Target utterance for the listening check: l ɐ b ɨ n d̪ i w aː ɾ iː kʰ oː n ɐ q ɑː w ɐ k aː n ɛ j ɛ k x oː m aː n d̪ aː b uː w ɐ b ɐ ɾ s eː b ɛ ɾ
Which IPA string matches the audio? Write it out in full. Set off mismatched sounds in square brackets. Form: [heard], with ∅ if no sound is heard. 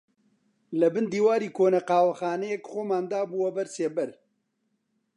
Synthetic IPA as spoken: l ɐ b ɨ n d̪ [iː] w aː ɾ iː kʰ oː n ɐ q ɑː w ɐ [x] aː n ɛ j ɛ k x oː m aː n d̪ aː b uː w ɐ b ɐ ɾ s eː b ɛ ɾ